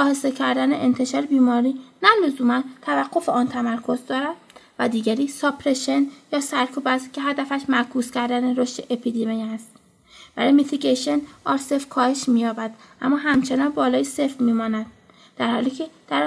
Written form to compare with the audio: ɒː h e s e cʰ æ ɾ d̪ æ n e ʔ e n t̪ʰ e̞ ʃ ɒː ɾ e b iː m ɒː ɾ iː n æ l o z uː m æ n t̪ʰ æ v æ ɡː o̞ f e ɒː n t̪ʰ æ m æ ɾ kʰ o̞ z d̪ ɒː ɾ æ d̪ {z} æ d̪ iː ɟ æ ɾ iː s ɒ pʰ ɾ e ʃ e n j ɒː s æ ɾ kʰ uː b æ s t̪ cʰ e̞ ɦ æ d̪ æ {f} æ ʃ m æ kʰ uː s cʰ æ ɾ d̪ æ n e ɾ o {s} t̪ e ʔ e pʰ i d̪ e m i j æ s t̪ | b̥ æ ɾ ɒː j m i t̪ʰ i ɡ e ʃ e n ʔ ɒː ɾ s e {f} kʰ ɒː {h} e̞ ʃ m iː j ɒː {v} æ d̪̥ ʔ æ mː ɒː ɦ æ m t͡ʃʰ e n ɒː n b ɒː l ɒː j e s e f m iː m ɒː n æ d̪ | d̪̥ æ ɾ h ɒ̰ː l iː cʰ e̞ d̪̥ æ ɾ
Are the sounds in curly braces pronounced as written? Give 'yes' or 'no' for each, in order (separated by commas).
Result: no, yes, no, yes, yes, no